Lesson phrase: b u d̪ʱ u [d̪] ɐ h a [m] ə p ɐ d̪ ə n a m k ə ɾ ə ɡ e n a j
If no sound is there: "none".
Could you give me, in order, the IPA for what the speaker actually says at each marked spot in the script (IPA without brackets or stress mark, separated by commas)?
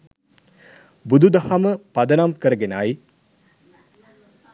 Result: d̪, m